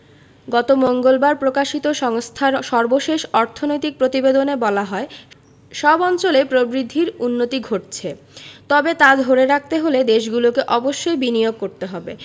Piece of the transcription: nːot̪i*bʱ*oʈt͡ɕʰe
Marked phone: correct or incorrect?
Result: incorrect